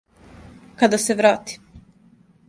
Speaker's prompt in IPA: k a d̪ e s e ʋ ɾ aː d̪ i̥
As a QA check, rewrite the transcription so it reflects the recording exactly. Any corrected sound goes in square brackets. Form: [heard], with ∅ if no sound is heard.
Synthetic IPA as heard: k a d̪ [a] s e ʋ ɾ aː [t̪] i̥